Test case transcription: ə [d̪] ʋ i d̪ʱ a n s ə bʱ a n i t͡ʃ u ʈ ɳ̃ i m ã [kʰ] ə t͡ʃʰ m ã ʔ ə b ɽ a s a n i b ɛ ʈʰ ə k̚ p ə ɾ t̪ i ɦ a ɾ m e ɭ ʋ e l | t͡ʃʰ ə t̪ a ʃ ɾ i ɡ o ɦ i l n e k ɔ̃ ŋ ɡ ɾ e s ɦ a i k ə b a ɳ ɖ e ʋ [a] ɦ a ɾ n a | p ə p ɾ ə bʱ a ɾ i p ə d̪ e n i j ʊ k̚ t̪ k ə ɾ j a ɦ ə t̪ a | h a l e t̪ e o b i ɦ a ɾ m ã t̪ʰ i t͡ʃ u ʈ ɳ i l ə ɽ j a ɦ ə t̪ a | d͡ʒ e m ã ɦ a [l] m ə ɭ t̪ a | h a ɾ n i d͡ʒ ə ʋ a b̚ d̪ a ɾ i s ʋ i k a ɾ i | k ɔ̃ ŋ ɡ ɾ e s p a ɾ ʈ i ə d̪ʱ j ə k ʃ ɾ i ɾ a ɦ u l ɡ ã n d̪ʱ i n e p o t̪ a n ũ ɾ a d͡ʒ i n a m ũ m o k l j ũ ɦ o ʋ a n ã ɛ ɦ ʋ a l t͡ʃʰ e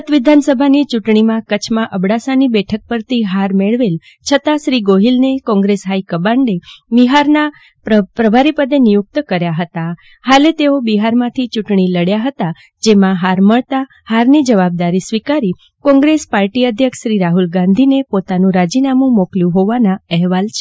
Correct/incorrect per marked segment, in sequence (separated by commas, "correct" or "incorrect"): incorrect, incorrect, incorrect, incorrect